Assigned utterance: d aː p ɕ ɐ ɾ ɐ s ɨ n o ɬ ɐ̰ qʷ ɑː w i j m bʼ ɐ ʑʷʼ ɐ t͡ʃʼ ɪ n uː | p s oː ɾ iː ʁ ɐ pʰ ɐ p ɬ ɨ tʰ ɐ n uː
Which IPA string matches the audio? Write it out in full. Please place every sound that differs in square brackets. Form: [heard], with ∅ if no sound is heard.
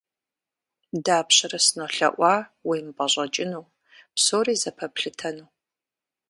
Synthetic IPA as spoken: d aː p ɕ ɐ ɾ ɐ s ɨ n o ɬ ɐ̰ [ʔʷ] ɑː w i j m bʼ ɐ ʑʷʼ ɐ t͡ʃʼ ɪ n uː | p s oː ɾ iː [z] ɐ pʰ ɐ p ɬ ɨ tʰ ɐ n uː